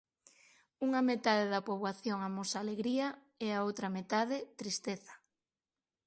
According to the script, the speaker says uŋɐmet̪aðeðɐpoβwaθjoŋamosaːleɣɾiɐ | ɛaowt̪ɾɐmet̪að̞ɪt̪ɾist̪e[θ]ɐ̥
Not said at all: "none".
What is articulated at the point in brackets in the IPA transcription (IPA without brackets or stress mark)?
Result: θ